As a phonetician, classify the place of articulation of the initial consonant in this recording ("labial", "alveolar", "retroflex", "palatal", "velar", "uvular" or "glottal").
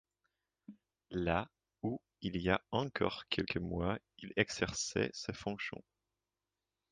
alveolar